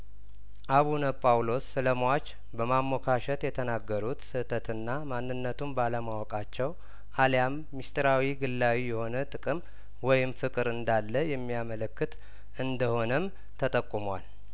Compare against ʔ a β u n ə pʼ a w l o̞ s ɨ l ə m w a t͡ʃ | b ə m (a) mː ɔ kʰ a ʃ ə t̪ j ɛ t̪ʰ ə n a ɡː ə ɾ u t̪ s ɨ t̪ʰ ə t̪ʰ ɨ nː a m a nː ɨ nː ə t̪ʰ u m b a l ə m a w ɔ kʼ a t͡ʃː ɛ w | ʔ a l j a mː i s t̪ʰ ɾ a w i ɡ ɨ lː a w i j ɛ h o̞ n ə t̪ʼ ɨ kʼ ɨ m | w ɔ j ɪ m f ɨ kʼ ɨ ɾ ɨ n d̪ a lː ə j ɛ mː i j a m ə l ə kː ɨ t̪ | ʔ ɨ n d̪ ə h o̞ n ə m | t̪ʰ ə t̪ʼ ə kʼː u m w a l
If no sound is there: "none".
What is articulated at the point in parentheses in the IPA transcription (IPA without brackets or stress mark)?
a